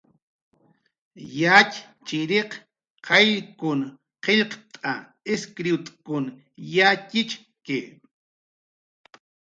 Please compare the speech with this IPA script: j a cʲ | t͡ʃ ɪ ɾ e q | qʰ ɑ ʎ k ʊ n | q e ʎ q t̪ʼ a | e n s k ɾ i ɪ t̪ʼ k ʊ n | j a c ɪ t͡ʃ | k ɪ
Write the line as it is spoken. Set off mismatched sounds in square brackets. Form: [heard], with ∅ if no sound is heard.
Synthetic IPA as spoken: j a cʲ | t͡ʃ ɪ ɾ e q | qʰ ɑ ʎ k ʊ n | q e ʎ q t̪ʼ a | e [∅] s k ɾ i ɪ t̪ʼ k ʊ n | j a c ɪ t͡ʃ | k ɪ